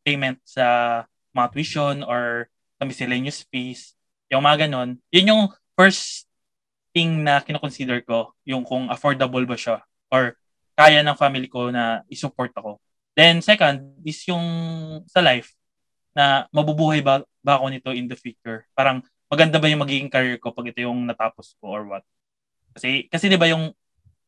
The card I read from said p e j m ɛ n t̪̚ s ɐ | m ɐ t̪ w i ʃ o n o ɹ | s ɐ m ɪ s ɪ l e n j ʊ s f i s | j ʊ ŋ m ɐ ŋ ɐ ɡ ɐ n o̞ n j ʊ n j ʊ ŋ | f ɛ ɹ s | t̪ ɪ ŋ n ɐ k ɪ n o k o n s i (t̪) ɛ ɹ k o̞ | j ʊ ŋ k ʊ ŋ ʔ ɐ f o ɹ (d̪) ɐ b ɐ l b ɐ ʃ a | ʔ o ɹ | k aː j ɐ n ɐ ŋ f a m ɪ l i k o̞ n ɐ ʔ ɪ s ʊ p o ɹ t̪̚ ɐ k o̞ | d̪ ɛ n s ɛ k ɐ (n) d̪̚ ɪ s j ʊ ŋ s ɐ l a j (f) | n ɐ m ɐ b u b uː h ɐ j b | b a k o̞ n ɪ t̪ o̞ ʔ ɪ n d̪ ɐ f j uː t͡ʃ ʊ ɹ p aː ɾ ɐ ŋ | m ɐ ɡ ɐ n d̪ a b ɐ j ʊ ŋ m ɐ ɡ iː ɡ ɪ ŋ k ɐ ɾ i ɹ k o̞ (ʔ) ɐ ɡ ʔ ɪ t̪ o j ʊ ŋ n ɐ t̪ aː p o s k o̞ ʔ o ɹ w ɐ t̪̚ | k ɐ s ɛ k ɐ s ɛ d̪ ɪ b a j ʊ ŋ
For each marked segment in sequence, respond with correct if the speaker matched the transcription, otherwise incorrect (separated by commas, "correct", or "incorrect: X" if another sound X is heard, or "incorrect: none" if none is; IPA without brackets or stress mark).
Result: incorrect: d̪, correct, correct, correct, incorrect: p